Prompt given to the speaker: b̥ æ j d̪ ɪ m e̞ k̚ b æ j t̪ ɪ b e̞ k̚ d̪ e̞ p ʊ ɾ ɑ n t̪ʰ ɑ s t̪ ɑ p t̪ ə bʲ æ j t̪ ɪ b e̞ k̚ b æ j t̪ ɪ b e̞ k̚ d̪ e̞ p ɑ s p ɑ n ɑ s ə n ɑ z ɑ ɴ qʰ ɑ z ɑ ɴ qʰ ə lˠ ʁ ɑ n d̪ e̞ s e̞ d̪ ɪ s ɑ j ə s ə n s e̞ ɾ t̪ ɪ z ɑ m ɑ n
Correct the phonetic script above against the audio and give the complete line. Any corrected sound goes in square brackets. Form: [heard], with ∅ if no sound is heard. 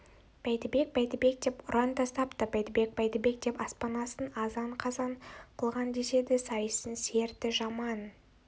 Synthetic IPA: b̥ æ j [t̪] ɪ [b] e̞ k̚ b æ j t̪ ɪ b e̞ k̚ d̪ e̞ p ʊ ɾ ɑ n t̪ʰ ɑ s t̪ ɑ p t̪ ə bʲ æ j t̪ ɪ b e̞ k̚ b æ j t̪ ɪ b e̞ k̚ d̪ e̞ p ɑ s p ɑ n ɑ s ə n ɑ z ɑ ɴ qʰ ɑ z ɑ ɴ qʰ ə lˠ ʁ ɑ n d̪ e̞ s e̞ d̪ ɪ s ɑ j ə s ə n s e̞ ɾ t̪ ɪ [ʒ] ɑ m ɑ n